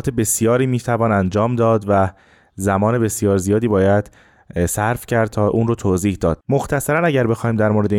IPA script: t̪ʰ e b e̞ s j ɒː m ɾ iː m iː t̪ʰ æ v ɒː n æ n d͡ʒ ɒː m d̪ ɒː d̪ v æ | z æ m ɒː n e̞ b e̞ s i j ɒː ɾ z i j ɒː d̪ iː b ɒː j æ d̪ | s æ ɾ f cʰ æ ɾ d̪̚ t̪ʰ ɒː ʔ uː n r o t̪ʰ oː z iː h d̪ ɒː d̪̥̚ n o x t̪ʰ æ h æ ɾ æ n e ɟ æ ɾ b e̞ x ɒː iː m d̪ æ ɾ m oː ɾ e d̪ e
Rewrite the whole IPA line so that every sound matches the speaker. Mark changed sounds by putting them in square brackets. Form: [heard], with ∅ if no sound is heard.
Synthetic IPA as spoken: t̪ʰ e b e̞ s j ɒː [∅] ɾ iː m iː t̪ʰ æ v ɒː n æ n d͡ʒ ɒː m d̪ ɒː d̪ v æ | z æ m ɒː n e̞ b e̞ s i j ɒː ɾ z i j ɒː d̪ iː b ɒː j æ d̪ | s æ ɾ f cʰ æ ɾ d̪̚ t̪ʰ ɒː ʔ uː n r o t̪ʰ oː z iː h d̪ ɒː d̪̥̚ [m] o x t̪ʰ æ [s] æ ɾ æ n [æ] ɟ æ ɾ b e̞ x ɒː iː m d̪ æ ɾ m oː ɾ e d̪ e